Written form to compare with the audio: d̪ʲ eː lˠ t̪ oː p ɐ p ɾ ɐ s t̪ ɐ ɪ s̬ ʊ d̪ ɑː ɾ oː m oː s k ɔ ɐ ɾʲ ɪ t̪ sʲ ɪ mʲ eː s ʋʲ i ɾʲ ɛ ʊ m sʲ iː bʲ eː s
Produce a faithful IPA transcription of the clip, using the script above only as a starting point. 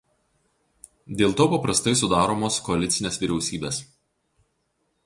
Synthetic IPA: d̪ʲ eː lˠ t̪ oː p ɐ p ɾ ɐ s t̪ ɐ ɪ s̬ ʊ d̪ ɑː ɾ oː m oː s k ɔ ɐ lʲ ɪ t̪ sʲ ɪ nʲ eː s ʋʲ i ɾʲ ɛ ʊ sʲ iː bʲ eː s